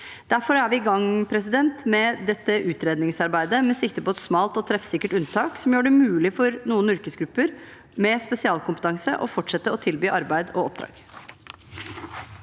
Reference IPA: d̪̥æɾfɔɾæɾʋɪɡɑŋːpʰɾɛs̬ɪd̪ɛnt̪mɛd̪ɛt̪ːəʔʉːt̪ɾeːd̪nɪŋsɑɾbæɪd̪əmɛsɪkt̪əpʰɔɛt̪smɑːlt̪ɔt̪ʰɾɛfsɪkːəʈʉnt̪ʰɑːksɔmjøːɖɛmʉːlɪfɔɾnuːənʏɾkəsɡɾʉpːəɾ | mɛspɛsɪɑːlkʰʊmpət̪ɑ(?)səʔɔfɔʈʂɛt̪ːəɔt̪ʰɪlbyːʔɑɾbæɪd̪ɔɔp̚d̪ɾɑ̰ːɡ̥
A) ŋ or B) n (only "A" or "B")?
A